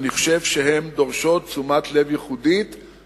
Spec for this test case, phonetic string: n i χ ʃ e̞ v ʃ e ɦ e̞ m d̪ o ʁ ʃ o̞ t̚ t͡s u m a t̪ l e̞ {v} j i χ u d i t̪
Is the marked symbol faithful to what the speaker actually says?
yes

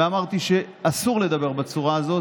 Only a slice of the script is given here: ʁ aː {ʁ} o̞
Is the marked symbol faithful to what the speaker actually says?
no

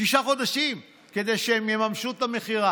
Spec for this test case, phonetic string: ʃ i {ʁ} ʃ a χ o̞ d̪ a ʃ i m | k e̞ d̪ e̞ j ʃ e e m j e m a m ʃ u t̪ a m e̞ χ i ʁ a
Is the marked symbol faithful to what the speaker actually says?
no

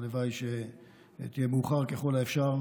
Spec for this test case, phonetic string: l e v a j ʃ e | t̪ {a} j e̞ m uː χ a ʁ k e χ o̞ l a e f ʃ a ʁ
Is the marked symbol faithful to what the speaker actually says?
no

